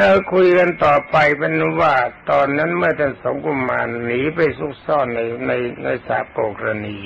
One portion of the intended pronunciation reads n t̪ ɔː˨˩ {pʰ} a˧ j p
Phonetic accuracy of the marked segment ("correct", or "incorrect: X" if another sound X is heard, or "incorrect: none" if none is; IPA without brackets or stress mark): incorrect: p